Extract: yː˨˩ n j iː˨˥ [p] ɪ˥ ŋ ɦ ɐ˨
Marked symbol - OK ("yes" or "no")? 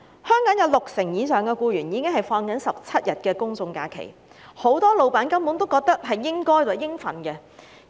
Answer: no